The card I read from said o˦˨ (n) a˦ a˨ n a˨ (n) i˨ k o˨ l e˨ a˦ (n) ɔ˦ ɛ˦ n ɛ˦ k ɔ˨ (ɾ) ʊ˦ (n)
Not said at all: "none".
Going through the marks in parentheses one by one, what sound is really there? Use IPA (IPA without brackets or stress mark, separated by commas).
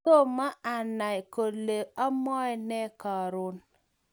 m, none, m, ɾ, n